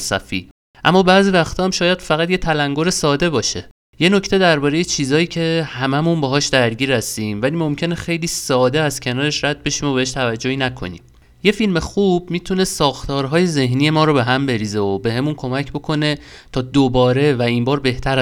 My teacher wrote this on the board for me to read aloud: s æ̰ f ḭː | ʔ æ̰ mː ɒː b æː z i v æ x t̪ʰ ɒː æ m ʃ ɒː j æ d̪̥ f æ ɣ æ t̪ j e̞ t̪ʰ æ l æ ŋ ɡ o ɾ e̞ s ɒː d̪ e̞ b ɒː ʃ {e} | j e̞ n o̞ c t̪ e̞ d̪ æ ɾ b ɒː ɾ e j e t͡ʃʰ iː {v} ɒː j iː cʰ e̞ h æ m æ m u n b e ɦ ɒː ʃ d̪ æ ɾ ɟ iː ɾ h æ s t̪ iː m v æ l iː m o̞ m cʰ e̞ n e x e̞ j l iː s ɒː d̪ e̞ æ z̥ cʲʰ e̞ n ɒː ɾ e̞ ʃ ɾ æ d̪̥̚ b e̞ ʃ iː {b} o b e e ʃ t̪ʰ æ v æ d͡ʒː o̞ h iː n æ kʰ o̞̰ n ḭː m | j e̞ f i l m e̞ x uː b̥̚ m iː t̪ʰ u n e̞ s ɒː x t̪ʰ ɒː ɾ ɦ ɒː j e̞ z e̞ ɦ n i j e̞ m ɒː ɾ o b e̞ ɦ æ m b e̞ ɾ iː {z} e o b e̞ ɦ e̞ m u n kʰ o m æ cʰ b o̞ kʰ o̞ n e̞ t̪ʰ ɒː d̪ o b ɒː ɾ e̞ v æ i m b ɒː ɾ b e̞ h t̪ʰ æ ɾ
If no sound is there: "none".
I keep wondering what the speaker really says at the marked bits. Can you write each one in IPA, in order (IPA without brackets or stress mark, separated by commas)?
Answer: e, z, m, z